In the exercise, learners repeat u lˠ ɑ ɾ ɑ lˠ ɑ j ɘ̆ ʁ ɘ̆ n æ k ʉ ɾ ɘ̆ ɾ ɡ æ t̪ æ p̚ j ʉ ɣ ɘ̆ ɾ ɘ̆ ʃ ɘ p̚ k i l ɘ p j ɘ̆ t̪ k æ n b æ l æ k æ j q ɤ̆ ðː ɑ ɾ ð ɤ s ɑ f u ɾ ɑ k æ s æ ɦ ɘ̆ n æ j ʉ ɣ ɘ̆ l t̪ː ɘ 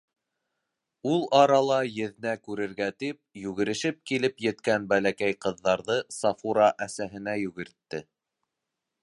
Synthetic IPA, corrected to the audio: u lˠ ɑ ɾ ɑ lˠ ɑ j ɘ̆ ð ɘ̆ n æ k ʉ ɾ ɘ̆ ɾ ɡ æ t̪ i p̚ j ʉ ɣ ɘ̆ ɾ ɘ̆ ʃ ɘ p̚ k i l ɘ p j ɘ̆ t̪ k æ n b æ l æ k æ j q ɤ̆ ðː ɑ ɾ ð ɤ s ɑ f u ɾ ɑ ʔ æ s æ ɦ ɘ̆ n æ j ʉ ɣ ɘ̆ ɾ t̪ː ɘ